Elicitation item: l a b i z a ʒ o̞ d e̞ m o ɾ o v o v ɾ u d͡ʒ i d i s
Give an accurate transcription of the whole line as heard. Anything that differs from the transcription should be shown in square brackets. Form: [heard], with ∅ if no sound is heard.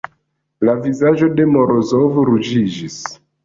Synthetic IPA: l a [v] i z a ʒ o̞ d e̞ m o ɾ o [z] o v ɾ u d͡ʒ i [d͡ʒ] i s